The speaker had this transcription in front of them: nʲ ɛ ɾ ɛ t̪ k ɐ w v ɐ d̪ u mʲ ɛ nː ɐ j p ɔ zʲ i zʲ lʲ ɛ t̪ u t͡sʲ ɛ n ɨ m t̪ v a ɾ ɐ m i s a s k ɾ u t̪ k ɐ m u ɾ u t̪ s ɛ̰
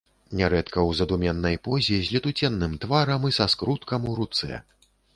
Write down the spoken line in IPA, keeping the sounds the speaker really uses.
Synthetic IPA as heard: nʲ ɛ ɾ ɛ t̪ k ɐ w z ɐ d̪ u mʲ ɛ nː ɐ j p ɔ zʲ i zʲ lʲ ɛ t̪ u t͡sʲ ɛ nː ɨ m t̪ v a ɾ ɐ m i s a s k ɾ u t̪ k ɐ m u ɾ u t̪ s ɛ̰

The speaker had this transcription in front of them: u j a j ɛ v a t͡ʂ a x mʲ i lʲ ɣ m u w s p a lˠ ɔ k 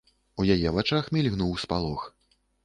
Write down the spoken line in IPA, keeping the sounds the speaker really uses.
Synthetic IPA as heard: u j a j ɛ v a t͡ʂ a x mʲ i lʲ ɣ n u w s p a lˠ ɔ x

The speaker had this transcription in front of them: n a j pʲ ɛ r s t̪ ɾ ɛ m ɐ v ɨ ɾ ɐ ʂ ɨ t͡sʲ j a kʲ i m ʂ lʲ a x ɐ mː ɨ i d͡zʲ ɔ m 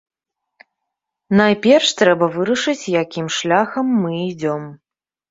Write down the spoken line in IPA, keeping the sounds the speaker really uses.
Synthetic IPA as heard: n a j pʲ ɛ r ʂ t̪ ɾ ɛ b ɐ v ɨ ɾ ɐ ʂ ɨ t͡sʲ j a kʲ i m ʂ lʲ a x ɐ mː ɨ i d͡zʲ ɔ m

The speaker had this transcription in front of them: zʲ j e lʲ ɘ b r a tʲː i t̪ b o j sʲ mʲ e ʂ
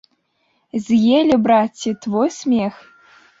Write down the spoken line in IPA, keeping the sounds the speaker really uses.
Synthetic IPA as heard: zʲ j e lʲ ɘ b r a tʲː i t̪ v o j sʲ mʲ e x

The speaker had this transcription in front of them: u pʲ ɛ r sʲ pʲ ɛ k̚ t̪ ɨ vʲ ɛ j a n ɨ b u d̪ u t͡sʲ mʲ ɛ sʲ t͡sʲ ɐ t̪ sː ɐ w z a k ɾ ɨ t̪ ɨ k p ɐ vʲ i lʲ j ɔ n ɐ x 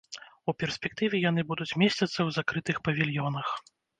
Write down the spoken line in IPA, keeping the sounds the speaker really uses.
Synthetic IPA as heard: u pʲ ɛ r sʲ pʲ ɛ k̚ t̪ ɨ vʲ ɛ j a n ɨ b u d̪ u t͡sʲ mʲ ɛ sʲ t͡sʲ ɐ t̪ sː ɐ w z a k ɾ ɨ t̪ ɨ x p ɐ vʲ i lʲ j ɔ n ɐ x

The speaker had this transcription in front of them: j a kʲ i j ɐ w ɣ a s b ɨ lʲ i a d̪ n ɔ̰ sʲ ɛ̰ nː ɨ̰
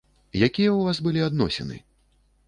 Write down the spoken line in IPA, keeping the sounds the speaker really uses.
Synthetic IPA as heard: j a kʲ i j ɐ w v a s b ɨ lʲ i a d̪ n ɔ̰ sʲ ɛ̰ n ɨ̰

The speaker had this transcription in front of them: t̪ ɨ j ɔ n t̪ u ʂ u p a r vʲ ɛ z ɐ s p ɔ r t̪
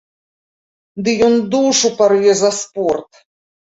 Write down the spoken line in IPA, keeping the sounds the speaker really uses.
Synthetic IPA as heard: d̪ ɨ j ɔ n d̪ u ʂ u p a r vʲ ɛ z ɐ s p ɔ r t̪

